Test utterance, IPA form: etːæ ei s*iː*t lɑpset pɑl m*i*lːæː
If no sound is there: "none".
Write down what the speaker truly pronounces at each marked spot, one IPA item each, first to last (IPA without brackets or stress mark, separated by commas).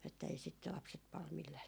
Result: i, i